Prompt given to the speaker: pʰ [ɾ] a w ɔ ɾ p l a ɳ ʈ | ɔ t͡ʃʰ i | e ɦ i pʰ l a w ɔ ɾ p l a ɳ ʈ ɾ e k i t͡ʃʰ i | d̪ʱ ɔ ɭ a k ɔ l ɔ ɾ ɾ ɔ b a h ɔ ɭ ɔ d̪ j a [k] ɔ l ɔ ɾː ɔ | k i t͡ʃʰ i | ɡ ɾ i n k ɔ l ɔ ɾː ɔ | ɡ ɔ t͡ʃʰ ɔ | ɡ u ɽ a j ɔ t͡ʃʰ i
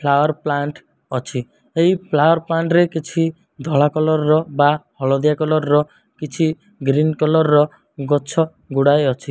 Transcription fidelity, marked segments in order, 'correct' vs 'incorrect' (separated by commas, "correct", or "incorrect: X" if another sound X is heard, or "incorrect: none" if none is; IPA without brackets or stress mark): incorrect: l, correct